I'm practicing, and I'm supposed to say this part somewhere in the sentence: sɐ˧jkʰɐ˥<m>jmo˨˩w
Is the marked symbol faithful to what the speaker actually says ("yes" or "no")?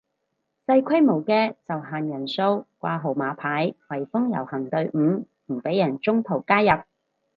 no